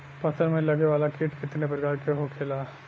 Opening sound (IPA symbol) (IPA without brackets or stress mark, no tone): p